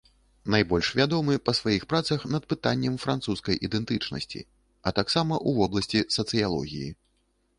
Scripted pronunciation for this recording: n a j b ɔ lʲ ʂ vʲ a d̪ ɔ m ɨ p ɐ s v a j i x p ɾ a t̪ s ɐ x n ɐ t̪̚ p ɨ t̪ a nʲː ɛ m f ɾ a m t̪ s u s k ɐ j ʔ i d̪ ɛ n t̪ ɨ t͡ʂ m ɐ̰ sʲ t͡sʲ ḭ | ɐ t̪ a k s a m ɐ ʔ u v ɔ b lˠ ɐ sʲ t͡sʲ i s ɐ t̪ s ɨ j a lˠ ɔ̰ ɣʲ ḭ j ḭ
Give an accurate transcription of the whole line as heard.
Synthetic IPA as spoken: n a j b ɔ lʲ ʂ vʲ a d̪ ɔ m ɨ p ɐ s v a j i x p ɾ a t̪ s ɐ x n ɐ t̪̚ p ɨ t̪ a nʲː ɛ m f ɾ a n t̪ s u s k ɐ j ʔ i d̪ ɛ n t̪ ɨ t͡ʂ n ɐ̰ sʲ t͡sʲ ḭ | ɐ t̪ a k s a m ɐ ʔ u v ɔ b lˠ ɐ sʲ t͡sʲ i s ɐ t̪ s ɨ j a lˠ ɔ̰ ɣʲ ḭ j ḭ